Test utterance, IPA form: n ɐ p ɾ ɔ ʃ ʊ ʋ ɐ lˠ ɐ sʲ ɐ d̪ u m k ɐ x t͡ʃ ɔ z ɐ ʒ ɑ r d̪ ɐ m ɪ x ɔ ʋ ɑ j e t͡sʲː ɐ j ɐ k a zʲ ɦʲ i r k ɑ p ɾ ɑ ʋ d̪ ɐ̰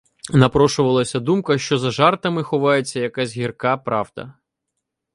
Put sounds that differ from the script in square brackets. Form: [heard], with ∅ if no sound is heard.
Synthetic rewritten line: n ɐ p ɾ ɔ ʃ ʊ ʋ ɐ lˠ ɐ sʲ ɐ d̪ u m k ɐ [ʃ] t͡ʃ ɔ z ɐ ʒ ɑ r [t̪] ɐ m ɪ x ɔ ʋ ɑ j e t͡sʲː ɐ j ɐ k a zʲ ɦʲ i r k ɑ p ɾ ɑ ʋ d̪ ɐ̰